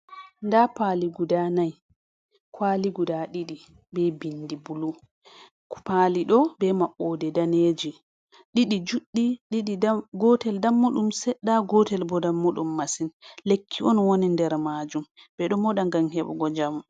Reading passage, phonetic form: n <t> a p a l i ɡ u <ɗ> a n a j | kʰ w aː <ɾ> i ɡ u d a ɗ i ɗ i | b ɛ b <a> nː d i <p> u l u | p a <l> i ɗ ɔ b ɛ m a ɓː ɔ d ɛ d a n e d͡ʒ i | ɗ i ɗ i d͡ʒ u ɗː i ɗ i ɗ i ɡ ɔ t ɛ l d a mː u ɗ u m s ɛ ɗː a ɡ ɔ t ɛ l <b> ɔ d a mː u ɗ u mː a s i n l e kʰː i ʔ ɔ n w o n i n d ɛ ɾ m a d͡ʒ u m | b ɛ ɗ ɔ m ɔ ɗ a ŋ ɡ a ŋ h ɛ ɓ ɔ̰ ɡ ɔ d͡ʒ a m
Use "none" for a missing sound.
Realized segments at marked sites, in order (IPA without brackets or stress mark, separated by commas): d, d, l, i, b, l, b